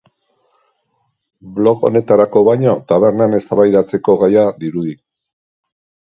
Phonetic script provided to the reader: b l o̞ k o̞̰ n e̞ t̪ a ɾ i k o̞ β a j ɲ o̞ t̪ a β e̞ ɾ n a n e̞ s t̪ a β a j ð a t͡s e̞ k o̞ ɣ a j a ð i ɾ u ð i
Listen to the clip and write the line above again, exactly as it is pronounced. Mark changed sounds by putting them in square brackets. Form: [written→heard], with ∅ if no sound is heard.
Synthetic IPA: b l o̞ k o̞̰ n e̞ t̪ a ɾ [i→a] k o̞ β a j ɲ o̞ t̪ a β e̞ ɾ n a n e̞ s t̪ a β a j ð a t͡s e̞ k o̞ ɣ a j a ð i ɾ u ð i